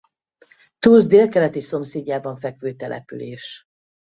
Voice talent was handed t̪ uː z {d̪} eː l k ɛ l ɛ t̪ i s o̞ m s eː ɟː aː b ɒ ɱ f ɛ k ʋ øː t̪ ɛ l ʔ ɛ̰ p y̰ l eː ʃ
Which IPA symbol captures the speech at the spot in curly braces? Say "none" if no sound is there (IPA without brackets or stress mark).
d̪